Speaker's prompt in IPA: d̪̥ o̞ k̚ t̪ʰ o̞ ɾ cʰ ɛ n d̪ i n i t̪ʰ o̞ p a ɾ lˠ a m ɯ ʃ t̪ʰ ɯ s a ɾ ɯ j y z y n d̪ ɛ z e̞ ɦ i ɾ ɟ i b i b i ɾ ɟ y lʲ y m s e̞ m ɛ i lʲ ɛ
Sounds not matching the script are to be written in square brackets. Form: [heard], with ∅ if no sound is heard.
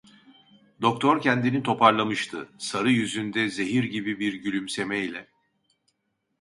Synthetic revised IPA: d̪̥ o̞ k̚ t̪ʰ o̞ ɾ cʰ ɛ n d̪ i n i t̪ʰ o̞ p a ɾ lˠ a m ɯ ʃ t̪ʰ ɯ s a ɾ ɯ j y z y n d̪ ɛ z e̞ ɦ i ɾ ɟ i b i b i ɾ ɟ y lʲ y m s e̞ m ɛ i lʲ ɛ

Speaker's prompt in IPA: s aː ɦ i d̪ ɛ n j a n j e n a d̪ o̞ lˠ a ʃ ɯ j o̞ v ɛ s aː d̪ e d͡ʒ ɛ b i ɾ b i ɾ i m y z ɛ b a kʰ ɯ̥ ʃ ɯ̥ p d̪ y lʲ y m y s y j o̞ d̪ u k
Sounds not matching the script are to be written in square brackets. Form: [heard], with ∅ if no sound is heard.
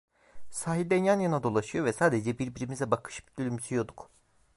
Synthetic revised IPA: s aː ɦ i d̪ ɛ n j a n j [a] n a d̪ o̞ lˠ a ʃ ɯ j o̞ v ɛ s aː d̪ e d͡ʒ ɛ b i ɾ b i ɾ i m [i] z ɛ b a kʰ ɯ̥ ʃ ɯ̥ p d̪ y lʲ y m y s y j o̞ d̪ u k

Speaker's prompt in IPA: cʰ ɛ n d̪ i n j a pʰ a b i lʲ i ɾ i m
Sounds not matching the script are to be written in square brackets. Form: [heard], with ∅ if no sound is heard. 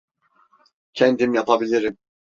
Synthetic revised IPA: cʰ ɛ n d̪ i [m] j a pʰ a b i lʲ i ɾ i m

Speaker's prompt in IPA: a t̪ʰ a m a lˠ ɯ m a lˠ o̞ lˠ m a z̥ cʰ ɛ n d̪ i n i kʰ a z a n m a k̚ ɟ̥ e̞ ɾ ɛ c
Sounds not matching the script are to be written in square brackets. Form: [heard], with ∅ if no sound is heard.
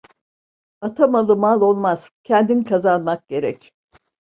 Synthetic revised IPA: a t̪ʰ a m a lˠ ɯ m a lˠ o̞ lˠ m a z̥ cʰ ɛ n d̪ i n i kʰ a z a n m a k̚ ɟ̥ e̞ ɾ ɛ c

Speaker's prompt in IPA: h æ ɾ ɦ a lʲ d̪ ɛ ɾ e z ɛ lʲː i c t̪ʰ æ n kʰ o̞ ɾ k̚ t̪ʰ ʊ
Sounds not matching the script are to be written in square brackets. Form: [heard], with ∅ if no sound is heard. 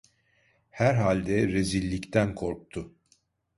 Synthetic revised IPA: h æ ɾ ɦ a lʲ d̪ ɛ ɾ e z [i] lʲː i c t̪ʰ æ n kʰ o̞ ɾ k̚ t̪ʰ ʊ

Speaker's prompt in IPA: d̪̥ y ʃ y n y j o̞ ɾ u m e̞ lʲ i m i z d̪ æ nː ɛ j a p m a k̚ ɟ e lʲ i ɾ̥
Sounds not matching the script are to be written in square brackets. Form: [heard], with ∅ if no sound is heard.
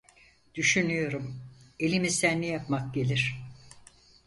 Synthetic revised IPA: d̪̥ y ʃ y n y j o̞ ɾ u m e̞ lʲ i m i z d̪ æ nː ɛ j a p m a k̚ ɟ e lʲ i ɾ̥

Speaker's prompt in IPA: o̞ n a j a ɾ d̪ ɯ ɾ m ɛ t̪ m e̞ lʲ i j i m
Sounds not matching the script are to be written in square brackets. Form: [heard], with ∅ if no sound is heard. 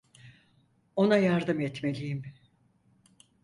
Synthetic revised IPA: o̞ n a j a ɾ d̪ ɯ [∅] m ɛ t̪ m e̞ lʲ i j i m

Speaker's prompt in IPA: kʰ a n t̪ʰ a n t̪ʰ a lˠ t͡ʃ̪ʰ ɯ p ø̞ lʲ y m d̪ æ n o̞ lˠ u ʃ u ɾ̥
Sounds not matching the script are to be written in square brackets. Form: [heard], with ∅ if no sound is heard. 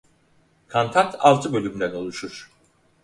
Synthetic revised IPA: kʰ a n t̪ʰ a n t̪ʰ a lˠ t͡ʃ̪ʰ ɯ [b] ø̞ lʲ y m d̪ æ n o̞ lˠ u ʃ u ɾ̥

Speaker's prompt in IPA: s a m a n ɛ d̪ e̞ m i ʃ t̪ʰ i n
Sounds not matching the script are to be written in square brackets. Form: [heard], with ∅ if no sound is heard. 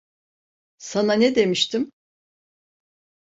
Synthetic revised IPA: s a [n] a n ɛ d̪ e̞ m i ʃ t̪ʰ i [m]

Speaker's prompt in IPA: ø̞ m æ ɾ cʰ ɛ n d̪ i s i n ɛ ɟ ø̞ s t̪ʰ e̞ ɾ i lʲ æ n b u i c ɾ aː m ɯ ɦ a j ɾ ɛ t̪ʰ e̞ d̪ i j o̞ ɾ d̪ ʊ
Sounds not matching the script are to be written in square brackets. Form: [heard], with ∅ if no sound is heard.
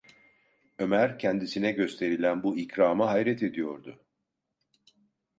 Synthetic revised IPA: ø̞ m æ ɾ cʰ ɛ n d̪ i s i n ɛ ɟ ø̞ s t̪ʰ e̞ ɾ i lʲ æ n b u i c ɾ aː m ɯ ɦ a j ɾ ɛ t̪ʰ e̞ d̪ i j o̞ ɾ d̪ ʊ

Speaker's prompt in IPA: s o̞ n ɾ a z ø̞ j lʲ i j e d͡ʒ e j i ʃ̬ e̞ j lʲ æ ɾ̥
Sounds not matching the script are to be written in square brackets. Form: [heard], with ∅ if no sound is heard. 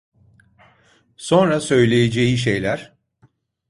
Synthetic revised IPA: s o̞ n ɾ a [s] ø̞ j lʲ [e] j e d͡ʒ e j i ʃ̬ e̞ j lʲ æ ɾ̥

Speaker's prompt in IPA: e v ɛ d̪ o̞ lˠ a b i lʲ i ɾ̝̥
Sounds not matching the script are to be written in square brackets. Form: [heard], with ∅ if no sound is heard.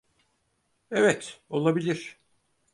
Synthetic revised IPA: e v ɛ [t̪] o̞ lˠ a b i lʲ i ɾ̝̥

